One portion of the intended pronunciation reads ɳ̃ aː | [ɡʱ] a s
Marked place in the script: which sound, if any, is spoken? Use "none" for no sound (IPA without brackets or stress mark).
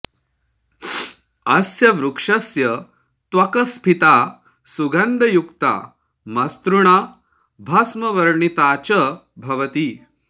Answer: bʱ